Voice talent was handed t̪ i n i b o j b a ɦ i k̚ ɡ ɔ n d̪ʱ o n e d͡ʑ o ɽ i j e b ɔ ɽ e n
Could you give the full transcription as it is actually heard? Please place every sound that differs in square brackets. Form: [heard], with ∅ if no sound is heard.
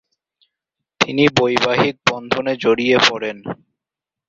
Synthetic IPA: t̪ i n i b o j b a ɦ i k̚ [b] ɔ n d̪ʱ o n e d͡ʑ o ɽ i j e [p] ɔ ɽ e n